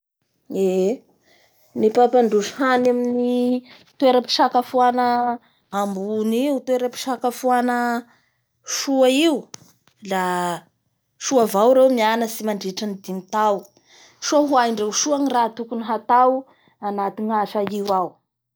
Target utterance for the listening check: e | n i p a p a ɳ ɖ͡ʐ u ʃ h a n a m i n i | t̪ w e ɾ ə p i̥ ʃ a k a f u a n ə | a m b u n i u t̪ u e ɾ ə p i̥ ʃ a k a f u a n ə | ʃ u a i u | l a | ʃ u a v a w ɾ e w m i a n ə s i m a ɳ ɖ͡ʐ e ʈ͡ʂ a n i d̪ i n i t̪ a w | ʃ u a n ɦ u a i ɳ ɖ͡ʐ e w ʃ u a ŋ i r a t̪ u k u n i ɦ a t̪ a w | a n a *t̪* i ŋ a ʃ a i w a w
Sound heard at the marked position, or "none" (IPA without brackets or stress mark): t̪